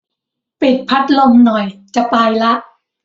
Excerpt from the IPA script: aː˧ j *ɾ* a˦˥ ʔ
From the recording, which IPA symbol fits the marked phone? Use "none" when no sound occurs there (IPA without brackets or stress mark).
l